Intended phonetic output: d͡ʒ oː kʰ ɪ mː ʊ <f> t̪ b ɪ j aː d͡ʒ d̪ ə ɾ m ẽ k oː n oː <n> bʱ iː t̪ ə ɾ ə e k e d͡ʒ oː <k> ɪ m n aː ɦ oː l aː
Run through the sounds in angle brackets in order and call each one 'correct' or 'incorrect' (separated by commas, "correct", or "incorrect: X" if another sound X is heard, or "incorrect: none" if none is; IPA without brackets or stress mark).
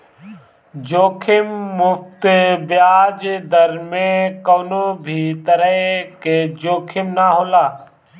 correct, incorrect: none, incorrect: kʰ